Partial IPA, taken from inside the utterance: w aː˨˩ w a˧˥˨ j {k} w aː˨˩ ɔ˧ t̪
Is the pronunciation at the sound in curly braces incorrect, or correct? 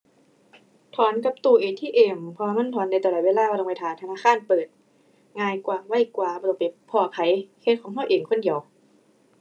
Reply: correct